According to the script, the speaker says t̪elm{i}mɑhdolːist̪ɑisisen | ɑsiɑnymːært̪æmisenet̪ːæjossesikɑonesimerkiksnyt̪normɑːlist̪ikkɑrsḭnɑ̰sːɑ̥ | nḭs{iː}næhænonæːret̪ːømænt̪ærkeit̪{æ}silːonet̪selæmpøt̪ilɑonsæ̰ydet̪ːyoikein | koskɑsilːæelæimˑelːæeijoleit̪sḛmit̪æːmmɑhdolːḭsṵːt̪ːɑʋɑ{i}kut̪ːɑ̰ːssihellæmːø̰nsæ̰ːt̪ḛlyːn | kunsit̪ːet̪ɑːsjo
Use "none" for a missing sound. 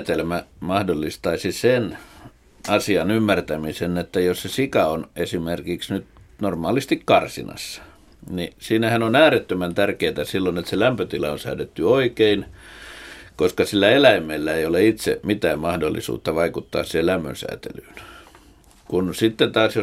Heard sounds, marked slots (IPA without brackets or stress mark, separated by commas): æ, iː, æ, i